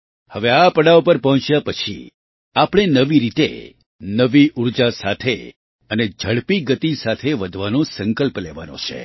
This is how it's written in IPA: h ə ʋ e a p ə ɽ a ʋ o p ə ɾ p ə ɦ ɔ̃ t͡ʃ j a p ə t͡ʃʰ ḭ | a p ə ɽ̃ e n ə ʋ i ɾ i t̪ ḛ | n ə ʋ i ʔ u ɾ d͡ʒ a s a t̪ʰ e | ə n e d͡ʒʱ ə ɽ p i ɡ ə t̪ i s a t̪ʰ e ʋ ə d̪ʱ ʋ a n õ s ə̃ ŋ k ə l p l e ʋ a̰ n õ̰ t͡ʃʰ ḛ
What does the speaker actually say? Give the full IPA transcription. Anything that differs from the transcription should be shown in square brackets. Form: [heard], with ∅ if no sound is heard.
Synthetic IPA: h ə ʋ e a p ə ɽ a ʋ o p ə ɾ p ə ɦ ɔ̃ t͡ʃ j a p ə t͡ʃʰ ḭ | a p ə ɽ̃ e n ə ʋ i ɾ i t̪ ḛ | n ə ʋ i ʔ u ɾ d͡ʒ a s a t̪ʰ e | ə n e d͡ʒʱ ə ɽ p i ɡ ə t̪ i s a t̪ʰ e ʋ ə d̪ʱ ʋ a n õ s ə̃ ŋ k ə l p l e ʋ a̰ n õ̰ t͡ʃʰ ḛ